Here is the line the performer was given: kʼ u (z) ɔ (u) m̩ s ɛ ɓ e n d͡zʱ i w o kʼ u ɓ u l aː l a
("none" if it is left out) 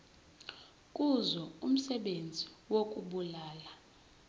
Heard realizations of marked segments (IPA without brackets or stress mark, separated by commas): z, u